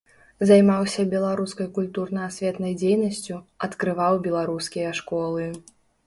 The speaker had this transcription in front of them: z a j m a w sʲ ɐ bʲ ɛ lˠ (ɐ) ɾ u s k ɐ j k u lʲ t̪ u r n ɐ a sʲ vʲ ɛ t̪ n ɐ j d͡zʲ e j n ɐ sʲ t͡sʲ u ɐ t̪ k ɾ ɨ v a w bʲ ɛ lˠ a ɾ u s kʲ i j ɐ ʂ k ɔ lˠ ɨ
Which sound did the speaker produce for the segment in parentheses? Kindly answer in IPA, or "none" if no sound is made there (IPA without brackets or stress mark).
a